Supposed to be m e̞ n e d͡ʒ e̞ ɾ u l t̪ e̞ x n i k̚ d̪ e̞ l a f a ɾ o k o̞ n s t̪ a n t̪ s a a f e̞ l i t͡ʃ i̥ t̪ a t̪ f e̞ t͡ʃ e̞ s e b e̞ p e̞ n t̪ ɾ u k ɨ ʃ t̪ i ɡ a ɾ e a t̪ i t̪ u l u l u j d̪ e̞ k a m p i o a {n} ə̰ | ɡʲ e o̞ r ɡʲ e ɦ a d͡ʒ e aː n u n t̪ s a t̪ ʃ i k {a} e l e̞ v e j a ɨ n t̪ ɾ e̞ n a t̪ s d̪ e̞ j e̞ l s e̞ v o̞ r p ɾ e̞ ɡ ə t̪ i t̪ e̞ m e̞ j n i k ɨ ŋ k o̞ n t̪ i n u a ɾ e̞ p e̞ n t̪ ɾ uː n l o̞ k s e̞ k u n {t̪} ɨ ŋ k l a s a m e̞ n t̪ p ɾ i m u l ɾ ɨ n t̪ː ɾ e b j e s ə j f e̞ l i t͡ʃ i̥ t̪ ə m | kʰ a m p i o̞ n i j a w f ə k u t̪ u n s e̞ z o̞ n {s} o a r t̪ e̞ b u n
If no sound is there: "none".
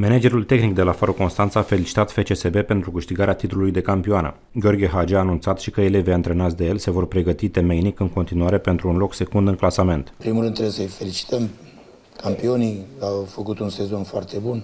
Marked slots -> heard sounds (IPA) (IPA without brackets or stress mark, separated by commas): n, ə, d̪, f